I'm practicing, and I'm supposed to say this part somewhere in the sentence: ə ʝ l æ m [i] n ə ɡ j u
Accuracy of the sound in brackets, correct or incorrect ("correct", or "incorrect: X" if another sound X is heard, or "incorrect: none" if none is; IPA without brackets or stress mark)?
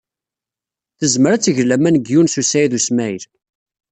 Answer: incorrect: æ